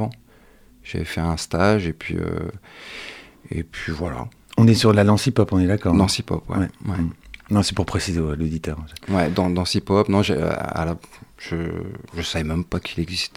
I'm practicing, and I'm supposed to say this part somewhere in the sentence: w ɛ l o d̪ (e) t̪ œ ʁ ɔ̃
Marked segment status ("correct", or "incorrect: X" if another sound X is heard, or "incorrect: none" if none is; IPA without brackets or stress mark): incorrect: i